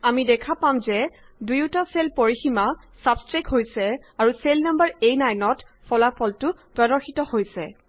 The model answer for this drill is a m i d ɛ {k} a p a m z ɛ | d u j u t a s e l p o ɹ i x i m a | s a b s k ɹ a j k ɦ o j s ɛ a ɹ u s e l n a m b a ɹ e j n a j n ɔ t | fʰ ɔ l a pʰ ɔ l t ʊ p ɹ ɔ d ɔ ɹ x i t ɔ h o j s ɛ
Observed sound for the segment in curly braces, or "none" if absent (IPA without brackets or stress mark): kʰ